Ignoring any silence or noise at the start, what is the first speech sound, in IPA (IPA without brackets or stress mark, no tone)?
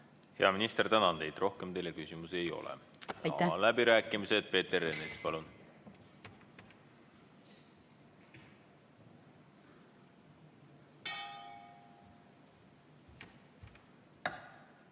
h